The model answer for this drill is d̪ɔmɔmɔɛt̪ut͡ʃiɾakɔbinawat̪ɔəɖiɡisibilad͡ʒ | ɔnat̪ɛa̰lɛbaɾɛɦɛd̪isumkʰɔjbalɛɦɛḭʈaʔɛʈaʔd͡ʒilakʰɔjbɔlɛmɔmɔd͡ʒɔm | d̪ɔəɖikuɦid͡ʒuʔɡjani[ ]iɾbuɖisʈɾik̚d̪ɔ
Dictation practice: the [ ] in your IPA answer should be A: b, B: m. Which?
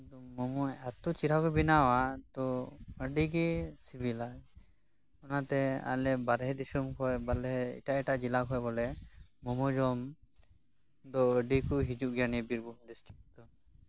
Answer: A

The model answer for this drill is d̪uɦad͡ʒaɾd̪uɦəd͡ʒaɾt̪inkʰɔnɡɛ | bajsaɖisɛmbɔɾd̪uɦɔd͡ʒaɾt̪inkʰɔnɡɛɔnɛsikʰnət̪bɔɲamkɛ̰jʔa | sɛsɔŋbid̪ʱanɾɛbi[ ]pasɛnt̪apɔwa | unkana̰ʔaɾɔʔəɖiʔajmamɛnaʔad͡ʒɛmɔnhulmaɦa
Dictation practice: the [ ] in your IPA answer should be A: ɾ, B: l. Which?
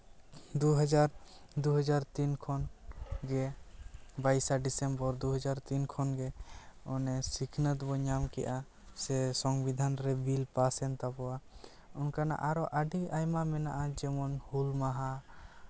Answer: B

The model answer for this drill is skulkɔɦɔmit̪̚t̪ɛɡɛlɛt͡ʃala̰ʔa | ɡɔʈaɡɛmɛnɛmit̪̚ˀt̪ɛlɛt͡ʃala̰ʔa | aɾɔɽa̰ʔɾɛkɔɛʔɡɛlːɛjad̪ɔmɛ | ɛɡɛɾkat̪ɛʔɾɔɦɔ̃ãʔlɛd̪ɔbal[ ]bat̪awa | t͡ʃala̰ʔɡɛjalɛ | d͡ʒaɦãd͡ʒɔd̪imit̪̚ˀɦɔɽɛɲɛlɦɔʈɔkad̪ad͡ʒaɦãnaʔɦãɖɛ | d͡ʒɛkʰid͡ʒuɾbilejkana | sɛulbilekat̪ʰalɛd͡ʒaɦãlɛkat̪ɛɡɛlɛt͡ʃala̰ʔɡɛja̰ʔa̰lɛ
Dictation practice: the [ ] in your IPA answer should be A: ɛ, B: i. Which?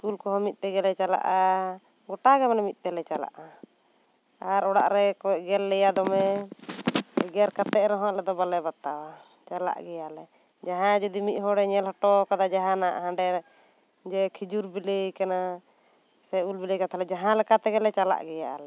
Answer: A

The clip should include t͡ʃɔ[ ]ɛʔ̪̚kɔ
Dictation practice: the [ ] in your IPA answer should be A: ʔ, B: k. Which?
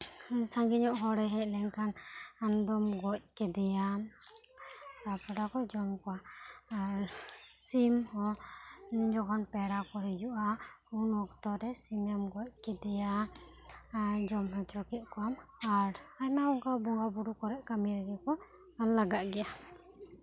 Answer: B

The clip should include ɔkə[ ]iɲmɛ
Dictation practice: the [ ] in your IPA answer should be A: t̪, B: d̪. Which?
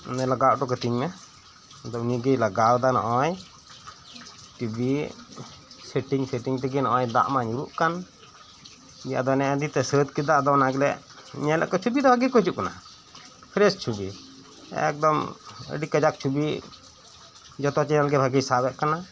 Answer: A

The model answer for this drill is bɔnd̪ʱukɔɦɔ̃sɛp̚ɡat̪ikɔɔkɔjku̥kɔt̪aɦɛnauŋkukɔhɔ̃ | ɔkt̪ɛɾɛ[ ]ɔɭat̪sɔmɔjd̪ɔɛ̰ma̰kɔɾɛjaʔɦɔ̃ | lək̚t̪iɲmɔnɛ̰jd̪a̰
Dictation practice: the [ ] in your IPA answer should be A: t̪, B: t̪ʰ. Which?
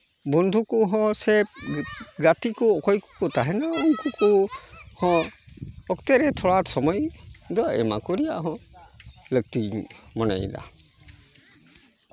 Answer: B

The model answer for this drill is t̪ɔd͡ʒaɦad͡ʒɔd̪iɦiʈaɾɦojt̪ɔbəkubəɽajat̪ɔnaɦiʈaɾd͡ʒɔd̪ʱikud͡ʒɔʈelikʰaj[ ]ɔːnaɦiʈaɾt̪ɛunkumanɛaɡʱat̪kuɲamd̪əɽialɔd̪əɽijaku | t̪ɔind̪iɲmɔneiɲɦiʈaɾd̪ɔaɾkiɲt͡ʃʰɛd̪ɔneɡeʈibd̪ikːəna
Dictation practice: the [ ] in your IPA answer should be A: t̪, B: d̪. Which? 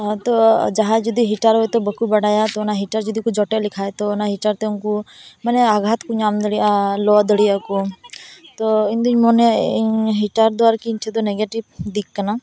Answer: A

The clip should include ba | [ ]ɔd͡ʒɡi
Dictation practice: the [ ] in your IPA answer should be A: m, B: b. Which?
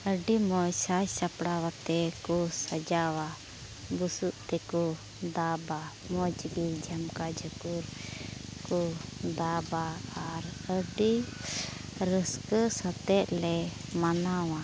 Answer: A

